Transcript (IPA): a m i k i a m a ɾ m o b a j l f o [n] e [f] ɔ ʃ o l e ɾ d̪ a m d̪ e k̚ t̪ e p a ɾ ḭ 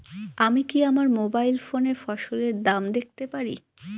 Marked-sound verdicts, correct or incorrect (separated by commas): correct, correct